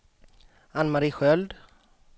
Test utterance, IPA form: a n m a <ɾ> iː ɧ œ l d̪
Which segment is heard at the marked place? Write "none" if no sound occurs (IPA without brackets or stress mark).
ɾ